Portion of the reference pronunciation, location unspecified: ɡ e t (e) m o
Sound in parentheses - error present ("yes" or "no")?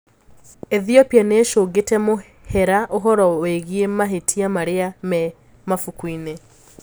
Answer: yes